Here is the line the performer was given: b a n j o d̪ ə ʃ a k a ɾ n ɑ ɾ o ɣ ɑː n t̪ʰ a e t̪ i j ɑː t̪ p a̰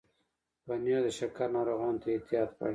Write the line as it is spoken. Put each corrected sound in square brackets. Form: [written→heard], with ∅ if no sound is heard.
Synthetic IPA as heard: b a n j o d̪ ə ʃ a k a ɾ n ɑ ɾ o ɣ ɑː n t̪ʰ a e t̪ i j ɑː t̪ p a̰